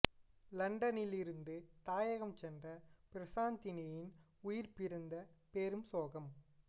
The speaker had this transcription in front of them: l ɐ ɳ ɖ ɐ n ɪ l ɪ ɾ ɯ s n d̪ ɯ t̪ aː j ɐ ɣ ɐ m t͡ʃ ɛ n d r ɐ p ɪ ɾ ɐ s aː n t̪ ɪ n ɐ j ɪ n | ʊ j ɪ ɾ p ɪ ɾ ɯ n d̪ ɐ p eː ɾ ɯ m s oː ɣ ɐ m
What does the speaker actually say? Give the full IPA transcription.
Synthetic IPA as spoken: l ɐ ɳ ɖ ɐ n ɪ l ɪ ɾ ɯ n d̪ ɯ t̪ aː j ɐ ɣ ɐ m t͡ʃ ɛ n d r ɐ p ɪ ɾ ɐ s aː n t̪ ɪ n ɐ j ɪ n | ʊ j ɪ ɾ p ɪ ɾ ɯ n d̪ ɐ p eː ɾ ɯ m s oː ɣ ɐ m